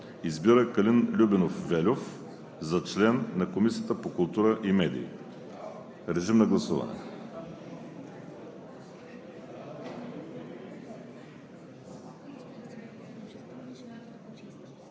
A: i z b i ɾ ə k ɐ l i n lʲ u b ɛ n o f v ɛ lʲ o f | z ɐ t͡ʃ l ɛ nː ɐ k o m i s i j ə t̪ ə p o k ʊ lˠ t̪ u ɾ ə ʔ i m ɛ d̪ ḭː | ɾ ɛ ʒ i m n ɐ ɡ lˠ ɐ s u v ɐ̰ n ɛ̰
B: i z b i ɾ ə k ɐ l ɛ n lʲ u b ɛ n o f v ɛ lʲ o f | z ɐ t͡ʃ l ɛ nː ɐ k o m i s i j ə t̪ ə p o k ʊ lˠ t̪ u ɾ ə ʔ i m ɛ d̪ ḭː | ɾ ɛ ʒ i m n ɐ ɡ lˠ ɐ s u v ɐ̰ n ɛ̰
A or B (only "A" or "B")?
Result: A